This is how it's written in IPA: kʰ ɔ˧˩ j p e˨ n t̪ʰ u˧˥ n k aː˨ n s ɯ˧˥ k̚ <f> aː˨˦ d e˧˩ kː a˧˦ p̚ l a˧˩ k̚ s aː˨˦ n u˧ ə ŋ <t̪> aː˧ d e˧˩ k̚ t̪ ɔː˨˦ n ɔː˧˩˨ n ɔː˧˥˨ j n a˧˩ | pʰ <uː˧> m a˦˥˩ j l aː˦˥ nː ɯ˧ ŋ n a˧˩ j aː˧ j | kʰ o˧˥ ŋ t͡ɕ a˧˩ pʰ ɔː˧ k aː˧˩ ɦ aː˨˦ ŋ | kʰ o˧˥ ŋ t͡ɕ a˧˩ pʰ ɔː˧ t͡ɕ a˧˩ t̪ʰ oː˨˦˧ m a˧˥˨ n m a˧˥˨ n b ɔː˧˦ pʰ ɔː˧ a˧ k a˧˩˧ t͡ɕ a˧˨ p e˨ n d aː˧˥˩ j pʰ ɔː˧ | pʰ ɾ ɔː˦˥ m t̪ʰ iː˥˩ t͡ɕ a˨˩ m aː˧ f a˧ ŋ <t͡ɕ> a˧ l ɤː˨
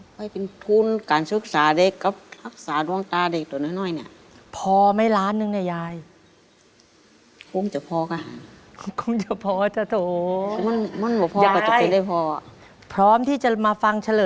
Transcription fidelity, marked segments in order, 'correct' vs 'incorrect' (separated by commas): incorrect, correct, incorrect, incorrect